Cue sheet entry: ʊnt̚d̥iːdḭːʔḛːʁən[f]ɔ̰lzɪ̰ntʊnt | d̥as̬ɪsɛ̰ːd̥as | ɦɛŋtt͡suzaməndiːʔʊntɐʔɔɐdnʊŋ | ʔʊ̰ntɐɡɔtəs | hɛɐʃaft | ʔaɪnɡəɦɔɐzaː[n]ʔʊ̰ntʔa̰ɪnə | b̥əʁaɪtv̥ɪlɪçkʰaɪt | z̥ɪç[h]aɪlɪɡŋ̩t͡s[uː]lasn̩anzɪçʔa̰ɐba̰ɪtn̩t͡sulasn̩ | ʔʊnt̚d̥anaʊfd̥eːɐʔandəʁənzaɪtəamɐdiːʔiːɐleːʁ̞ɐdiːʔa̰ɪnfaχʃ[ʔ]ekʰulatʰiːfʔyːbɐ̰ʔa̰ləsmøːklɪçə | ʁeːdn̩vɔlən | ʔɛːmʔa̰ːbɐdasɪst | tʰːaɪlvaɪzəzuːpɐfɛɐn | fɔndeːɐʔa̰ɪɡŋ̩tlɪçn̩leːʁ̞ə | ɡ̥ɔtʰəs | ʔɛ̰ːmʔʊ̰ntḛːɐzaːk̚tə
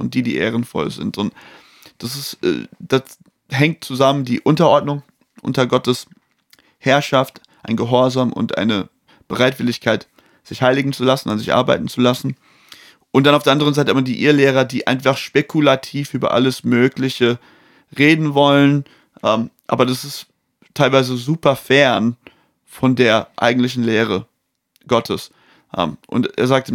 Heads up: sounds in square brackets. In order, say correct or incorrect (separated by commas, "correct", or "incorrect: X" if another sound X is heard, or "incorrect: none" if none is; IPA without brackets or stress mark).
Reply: correct, incorrect: m, correct, incorrect: u, incorrect: p